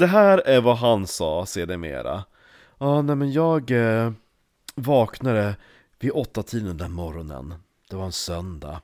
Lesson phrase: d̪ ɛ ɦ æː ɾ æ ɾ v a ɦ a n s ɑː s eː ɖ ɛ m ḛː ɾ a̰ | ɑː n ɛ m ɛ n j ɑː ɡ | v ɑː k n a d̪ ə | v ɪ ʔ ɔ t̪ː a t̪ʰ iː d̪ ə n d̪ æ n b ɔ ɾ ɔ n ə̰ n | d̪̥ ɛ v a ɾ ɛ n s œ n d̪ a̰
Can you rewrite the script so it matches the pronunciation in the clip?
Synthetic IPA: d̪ ɛ ɦ æː ɾ æ ɾ v a ɦ a n s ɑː s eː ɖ ɛ m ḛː ɾ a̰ | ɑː n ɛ m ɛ n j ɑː ɡ | v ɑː k n a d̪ ə | v ɪ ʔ ɔ t̪ː a t̪ʰ iː d̪ ə n d̪ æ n m ɔ ɾ ɔ n ə̰ n | d̪̥ ɛ v a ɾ ɛ n s œ n d̪ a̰